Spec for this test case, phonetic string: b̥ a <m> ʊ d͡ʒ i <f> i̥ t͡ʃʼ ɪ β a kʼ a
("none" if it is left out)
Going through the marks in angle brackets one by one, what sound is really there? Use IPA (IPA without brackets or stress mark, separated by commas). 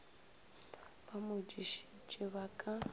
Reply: m, ʃ